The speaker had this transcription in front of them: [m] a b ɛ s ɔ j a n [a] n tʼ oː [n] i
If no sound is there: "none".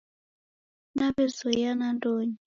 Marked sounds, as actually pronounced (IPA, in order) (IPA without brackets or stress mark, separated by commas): n, a, ɲ